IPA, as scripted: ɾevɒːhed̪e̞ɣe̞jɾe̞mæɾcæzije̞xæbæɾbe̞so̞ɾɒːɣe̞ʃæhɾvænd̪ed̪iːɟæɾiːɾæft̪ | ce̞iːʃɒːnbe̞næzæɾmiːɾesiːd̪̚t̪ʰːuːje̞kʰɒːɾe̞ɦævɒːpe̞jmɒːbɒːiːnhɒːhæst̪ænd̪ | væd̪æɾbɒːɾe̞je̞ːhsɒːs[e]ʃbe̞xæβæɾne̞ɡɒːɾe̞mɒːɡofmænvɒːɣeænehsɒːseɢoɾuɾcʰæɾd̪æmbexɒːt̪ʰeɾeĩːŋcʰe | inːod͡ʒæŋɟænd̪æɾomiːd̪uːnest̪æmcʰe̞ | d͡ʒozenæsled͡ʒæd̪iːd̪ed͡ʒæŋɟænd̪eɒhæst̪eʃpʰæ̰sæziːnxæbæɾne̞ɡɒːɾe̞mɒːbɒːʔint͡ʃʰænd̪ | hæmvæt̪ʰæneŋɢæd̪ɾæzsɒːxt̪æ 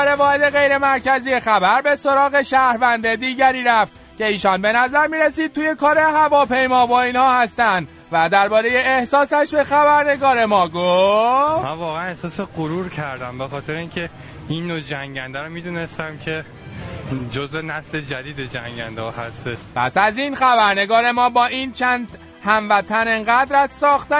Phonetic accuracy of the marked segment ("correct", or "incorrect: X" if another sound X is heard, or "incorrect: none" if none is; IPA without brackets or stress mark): incorrect: æ